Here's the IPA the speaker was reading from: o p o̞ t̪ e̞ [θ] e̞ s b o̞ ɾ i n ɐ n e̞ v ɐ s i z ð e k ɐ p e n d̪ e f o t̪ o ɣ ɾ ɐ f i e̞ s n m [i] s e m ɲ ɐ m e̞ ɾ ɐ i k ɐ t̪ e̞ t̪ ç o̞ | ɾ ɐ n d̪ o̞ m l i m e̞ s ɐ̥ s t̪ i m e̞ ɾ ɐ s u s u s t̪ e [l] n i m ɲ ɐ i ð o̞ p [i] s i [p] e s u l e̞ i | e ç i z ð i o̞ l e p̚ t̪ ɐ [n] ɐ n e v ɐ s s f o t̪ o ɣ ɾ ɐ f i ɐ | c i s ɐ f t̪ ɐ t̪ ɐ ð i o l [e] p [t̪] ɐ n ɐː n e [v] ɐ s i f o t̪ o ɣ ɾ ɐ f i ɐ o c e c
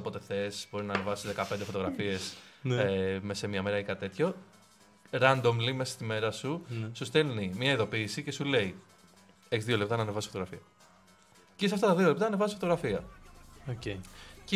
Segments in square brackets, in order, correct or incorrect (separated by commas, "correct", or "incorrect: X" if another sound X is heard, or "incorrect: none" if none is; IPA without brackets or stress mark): correct, incorrect: e, correct, incorrect: iː, incorrect: c, correct, correct, correct, correct